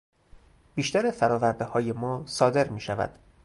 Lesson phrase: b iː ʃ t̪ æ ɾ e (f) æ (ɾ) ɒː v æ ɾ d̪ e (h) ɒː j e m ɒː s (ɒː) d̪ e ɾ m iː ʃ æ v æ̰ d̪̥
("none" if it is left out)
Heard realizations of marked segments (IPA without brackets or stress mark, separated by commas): f, ɾ, h, ɒː